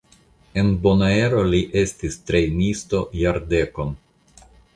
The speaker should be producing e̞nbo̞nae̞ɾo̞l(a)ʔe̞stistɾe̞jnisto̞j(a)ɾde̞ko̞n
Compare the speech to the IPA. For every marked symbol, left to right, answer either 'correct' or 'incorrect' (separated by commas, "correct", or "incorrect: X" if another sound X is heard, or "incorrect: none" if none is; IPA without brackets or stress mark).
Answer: incorrect: i, correct